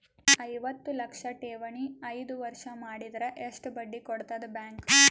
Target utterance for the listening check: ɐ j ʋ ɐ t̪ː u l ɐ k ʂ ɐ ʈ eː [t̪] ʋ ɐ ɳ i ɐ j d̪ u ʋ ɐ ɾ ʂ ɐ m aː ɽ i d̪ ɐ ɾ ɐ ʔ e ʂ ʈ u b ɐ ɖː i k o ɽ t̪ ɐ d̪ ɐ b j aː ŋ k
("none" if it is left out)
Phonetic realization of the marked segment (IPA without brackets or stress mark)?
none